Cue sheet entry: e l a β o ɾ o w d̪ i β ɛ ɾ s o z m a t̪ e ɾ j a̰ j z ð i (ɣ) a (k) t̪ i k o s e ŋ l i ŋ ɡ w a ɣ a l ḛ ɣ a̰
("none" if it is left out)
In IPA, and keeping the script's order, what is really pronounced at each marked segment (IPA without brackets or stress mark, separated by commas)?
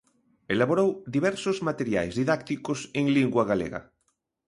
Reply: ð, k